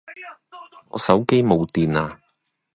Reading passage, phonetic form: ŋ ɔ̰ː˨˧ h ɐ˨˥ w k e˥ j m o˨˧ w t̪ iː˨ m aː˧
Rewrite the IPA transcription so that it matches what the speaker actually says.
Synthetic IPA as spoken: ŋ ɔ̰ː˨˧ s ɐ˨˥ w k e˥ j m o˨˧ w t̪ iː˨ n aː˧